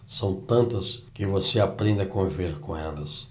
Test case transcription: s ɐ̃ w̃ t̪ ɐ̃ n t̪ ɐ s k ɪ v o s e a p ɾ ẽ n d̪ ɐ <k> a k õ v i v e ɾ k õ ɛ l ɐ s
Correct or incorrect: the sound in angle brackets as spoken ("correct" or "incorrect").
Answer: incorrect